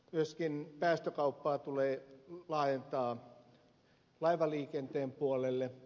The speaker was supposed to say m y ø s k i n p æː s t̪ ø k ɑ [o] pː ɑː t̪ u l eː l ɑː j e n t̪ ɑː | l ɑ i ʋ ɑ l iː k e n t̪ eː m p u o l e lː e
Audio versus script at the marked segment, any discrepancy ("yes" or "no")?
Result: yes